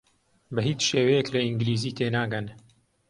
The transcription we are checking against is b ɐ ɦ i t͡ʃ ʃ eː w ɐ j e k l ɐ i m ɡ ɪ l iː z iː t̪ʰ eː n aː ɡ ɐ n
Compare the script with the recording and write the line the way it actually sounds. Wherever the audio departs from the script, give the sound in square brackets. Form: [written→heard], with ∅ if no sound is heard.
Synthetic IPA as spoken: b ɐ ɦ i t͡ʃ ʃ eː w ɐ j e k l ɐ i [m→ŋ] ɡ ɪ l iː z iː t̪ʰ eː n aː ɡ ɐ n